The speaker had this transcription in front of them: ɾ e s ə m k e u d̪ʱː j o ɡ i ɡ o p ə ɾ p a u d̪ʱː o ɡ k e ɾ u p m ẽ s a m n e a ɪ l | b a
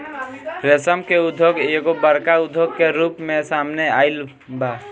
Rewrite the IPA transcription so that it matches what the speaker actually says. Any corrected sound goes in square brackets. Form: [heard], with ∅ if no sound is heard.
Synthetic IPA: ɾ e s ə m k e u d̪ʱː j o ɡ [e] ɡ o [b] ə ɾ [k] a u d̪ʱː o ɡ k e ɾ u p m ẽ s a m n e a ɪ l | b a